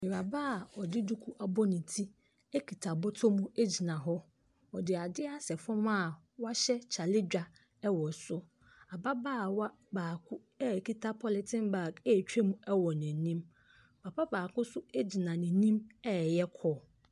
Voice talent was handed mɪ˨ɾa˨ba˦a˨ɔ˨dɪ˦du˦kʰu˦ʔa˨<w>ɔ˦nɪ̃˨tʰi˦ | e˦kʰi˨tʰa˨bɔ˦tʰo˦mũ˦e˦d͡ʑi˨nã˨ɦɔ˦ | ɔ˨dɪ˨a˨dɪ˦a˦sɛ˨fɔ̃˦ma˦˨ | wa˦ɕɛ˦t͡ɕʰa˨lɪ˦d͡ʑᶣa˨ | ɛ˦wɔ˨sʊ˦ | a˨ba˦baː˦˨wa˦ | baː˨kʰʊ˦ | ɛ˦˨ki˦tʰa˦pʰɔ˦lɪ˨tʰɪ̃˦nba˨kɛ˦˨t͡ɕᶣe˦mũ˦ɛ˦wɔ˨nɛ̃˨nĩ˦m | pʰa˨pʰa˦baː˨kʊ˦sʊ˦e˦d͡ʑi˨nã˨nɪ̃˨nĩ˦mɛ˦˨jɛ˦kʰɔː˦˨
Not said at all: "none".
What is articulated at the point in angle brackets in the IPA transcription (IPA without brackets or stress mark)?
b